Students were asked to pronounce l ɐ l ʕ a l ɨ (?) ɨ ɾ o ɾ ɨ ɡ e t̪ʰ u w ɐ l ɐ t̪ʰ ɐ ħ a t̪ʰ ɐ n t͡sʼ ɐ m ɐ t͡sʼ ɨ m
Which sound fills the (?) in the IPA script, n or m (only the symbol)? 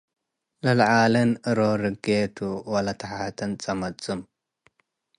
n